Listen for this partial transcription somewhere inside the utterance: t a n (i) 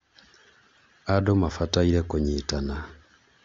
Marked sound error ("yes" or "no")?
yes